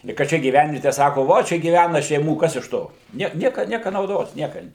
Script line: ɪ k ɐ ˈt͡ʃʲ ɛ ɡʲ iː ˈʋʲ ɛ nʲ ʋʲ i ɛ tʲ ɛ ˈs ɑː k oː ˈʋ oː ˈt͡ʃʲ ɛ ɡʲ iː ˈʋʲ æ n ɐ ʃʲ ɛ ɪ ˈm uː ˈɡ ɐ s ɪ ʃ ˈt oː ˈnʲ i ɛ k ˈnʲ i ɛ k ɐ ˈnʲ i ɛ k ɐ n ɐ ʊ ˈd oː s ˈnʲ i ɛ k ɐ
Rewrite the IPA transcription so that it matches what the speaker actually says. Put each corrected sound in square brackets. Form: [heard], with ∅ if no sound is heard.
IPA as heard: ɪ k ɐ ˈt͡ʃʲ ɛ ɡʲ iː ˈʋʲ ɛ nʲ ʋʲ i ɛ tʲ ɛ ˈs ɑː k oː ˈʋ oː ˈt͡ʃʲ ɛ ɡʲ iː ˈʋʲ æ n ɐ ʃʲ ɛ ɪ ˈm uː [ˈk] ɐ s ɪ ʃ ˈt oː ˈnʲ i ɛ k ˈnʲ i ɛ k ɐ ˈnʲ i ɛ k ɐ n ɐ ʊ ˈd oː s ˈnʲ i ɛ k ɐ